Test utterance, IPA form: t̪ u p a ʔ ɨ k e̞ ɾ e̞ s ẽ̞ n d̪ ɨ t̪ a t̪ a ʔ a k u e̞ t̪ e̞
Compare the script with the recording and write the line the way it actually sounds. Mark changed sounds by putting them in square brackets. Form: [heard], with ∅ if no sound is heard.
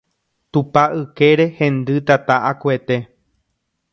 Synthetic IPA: t̪ u p a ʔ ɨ k e̞ ɾ e̞ [h] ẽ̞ n d̪ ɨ t̪ a t̪ a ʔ a k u e̞ t̪ e̞